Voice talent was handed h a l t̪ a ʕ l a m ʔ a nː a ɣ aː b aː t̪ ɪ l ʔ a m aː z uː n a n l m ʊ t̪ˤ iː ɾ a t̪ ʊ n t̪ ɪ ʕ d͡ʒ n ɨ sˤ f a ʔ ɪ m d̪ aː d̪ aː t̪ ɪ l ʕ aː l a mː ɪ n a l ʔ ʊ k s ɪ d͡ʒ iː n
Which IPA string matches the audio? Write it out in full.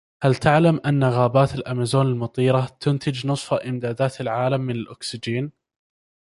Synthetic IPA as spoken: h a l t̪ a ʕ l a m ʔ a nː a ɣ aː b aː t̪ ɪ l ʔ a m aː z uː n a l m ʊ t̪ˤ iː ɾ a t̪ ʊ n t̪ ɪ d͡ʒ n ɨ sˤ f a ʔ ɪ m d̪ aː d̪ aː t̪ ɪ l ʕ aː l a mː ɪ n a l ʔ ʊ k s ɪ d͡ʒ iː n